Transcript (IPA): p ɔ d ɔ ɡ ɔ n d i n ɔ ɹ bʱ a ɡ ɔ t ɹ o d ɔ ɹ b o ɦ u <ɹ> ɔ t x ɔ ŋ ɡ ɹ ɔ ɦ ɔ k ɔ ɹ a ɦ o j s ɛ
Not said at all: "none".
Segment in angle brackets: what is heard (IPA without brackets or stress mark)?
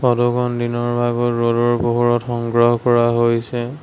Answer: ɹ